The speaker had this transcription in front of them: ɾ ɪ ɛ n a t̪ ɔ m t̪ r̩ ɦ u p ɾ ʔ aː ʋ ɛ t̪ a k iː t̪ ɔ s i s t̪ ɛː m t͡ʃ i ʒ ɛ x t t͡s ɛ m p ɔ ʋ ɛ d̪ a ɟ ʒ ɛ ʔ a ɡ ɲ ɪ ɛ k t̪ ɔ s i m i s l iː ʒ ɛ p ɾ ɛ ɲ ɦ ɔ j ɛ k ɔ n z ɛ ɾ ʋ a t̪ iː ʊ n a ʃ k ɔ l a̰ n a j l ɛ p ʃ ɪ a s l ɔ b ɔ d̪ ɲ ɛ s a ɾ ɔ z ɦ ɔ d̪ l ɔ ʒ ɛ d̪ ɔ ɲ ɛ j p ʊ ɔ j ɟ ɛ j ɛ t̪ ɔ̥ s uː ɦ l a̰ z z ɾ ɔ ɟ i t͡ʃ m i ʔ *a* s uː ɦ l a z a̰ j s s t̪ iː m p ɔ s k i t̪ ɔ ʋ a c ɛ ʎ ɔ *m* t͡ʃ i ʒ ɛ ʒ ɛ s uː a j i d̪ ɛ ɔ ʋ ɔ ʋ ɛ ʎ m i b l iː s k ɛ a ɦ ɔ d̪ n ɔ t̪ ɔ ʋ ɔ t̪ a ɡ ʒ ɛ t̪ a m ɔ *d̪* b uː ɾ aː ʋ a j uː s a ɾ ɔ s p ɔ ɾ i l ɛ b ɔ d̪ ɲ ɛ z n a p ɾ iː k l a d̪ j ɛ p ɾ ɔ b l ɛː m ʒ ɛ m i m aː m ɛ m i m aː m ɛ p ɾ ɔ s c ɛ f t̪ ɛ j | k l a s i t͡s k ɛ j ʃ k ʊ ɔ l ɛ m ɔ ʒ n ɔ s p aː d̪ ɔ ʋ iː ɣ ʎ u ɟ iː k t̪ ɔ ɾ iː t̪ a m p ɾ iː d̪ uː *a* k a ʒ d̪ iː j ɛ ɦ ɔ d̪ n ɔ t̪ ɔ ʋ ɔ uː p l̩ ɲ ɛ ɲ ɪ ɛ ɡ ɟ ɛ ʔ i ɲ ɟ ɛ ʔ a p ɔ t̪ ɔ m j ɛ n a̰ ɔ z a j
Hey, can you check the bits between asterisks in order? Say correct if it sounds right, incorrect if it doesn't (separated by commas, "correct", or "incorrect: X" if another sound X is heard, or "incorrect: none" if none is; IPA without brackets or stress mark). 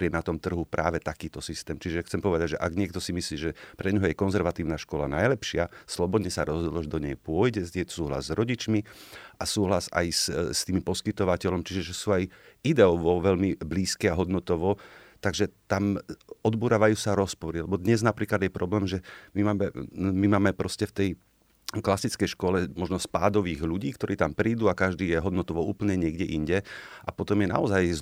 correct, correct, correct, correct